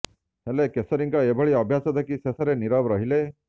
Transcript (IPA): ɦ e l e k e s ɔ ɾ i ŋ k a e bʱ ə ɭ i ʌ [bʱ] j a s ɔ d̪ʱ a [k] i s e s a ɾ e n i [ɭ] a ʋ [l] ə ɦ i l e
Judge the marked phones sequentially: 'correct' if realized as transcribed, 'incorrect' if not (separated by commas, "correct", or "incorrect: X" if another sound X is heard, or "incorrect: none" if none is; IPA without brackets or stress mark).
correct, correct, incorrect: ɾ, incorrect: ɾ